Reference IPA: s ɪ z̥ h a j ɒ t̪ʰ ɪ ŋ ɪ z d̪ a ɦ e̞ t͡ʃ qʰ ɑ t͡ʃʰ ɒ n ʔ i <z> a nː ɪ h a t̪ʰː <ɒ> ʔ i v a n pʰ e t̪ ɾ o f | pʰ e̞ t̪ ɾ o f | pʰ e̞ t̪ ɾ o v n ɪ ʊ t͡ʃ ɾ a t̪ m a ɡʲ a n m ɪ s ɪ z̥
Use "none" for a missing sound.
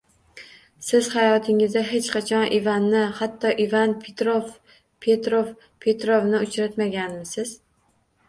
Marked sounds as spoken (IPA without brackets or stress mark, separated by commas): v, ɒ